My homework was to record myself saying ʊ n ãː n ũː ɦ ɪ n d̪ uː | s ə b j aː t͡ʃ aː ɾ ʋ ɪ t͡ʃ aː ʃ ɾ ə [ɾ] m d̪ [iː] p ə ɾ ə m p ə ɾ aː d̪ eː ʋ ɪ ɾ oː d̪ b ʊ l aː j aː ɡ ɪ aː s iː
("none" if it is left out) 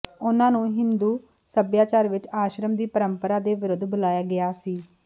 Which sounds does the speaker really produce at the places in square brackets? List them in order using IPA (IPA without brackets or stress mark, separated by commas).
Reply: none, iː